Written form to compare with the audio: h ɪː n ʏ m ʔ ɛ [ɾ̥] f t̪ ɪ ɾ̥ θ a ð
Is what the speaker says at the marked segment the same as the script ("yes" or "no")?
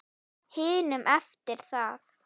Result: no